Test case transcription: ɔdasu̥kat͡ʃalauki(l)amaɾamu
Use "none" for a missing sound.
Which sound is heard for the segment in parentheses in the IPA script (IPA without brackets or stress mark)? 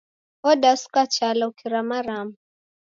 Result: ɾ